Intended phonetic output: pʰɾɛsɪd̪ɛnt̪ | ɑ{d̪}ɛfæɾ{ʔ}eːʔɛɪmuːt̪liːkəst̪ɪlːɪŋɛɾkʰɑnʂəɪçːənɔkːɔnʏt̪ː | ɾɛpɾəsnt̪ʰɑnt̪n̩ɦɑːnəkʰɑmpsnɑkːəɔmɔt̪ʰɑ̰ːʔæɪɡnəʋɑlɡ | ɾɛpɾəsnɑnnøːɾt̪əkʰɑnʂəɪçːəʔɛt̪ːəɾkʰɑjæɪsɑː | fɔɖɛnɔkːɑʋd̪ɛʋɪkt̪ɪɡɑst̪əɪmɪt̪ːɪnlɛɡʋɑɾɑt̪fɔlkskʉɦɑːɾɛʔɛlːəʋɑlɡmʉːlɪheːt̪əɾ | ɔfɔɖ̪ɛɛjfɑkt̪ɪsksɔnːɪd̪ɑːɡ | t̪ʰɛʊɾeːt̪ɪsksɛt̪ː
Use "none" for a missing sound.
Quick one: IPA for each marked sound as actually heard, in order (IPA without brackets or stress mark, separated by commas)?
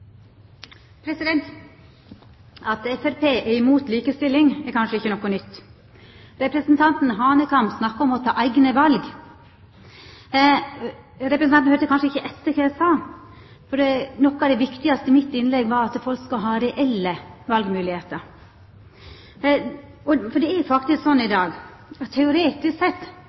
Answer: t̪, p